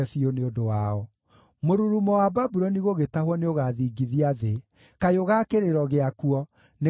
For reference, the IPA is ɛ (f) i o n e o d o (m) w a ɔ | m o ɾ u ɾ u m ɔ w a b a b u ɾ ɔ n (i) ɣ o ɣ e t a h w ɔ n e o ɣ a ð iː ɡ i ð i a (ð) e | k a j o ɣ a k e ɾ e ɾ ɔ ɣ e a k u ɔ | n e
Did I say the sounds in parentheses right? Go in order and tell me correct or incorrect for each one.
correct, incorrect, correct, correct

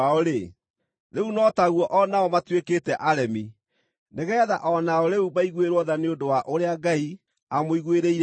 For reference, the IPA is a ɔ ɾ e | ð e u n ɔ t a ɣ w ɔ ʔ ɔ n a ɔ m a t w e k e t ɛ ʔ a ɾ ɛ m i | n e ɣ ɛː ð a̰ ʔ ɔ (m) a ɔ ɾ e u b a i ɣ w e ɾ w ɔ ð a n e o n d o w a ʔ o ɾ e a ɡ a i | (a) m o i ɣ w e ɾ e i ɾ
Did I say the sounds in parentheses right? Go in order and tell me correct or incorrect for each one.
incorrect, correct

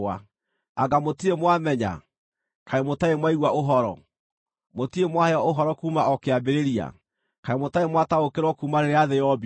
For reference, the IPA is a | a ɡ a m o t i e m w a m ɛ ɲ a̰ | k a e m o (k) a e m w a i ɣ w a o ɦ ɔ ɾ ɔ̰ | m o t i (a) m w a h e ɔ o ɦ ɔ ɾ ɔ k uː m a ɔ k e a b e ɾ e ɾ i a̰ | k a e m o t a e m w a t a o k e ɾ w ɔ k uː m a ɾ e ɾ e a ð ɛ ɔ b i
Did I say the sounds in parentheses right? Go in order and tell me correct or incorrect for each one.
incorrect, incorrect

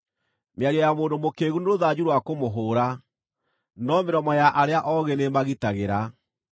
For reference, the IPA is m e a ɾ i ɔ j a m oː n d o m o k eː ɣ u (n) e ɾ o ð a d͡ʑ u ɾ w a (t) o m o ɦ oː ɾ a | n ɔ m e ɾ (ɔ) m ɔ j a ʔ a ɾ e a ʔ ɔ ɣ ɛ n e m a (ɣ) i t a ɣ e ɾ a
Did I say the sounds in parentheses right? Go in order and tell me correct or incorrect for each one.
correct, incorrect, correct, correct

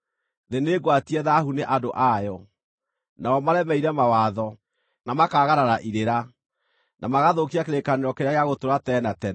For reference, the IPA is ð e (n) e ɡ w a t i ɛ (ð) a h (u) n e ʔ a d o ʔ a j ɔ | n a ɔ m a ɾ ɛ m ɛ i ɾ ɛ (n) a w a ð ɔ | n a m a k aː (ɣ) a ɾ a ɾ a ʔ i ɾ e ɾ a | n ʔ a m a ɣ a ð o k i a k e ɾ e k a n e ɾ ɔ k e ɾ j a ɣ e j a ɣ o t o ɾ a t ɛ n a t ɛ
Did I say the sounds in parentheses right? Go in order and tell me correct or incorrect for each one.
correct, correct, correct, incorrect, correct

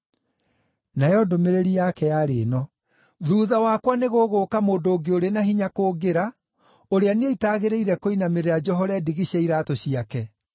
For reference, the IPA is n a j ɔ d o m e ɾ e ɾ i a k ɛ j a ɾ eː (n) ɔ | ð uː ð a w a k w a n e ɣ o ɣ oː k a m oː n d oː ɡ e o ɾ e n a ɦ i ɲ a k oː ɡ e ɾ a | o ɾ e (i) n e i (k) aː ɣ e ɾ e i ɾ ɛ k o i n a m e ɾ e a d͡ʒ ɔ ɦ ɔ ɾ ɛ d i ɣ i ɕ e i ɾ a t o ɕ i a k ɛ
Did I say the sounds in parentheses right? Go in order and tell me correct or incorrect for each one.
correct, incorrect, incorrect

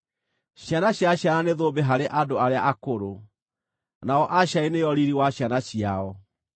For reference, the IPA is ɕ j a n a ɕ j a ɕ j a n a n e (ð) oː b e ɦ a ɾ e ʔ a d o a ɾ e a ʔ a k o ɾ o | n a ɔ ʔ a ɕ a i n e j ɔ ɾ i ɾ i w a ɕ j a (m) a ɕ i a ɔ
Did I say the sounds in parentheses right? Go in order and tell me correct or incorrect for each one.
correct, incorrect

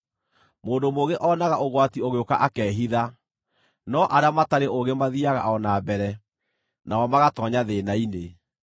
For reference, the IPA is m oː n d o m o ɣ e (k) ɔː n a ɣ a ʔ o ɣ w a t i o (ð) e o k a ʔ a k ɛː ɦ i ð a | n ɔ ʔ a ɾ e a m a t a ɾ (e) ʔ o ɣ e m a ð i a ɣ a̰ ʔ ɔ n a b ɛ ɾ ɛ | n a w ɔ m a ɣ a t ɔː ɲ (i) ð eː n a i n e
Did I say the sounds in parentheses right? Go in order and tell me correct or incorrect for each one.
incorrect, incorrect, correct, incorrect

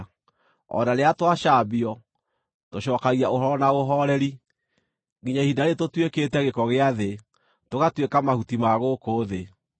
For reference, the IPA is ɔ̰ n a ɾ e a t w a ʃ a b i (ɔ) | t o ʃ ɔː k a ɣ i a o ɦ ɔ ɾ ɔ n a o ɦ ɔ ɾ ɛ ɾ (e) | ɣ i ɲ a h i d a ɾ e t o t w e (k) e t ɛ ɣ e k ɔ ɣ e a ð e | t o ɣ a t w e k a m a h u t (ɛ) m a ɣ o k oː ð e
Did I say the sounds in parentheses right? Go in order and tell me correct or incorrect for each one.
correct, incorrect, correct, incorrect

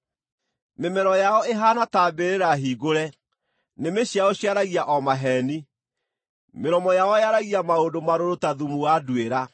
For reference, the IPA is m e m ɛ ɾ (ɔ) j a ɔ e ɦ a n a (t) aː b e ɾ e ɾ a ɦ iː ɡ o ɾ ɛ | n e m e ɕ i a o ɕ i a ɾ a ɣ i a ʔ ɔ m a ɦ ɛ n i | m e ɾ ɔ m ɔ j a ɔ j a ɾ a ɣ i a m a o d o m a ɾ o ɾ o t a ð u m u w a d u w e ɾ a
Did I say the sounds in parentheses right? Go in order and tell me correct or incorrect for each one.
correct, correct

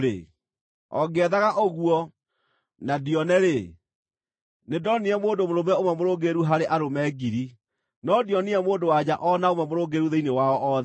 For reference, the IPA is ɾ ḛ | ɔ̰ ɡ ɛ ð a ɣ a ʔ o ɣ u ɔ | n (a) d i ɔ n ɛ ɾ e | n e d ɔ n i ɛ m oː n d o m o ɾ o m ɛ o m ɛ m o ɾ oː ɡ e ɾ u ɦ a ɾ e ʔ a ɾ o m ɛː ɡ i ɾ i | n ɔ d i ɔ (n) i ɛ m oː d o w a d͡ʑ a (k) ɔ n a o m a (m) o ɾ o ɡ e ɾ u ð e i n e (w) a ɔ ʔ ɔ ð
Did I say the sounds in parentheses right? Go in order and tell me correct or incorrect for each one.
correct, correct, incorrect, correct, correct

